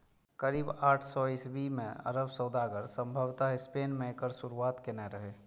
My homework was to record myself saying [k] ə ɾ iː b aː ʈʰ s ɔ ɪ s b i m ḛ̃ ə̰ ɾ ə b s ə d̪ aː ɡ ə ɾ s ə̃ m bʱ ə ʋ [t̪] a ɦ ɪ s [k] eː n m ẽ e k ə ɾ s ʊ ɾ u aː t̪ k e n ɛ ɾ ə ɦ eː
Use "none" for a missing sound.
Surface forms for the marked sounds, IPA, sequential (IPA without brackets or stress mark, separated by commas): k, t̪, p